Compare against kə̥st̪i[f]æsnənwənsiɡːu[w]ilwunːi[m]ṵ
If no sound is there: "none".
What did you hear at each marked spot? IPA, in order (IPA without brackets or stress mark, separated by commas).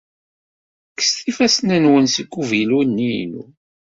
f, v, n